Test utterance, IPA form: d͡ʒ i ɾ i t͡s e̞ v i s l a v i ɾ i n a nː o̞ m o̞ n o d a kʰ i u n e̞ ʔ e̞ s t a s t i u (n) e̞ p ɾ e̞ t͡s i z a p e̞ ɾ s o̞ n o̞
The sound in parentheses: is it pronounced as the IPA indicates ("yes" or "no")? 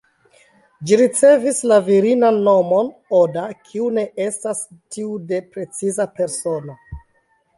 no